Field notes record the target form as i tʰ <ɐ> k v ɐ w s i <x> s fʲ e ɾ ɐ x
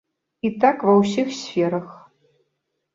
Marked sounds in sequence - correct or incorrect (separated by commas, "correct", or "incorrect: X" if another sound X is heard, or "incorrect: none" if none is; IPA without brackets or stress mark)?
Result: incorrect: a, correct